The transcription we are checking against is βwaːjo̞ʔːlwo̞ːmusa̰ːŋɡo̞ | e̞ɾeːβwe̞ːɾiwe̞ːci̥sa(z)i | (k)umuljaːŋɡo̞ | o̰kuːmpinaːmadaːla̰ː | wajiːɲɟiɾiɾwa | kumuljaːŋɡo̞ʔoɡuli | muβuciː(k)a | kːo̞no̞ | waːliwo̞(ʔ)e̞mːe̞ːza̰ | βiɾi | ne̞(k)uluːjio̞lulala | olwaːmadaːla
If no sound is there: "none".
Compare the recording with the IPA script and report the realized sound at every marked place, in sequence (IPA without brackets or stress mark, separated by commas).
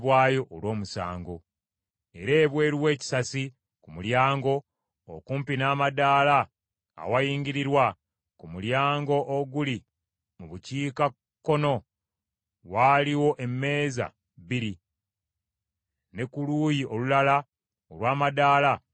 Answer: s, k, k, ʔ, k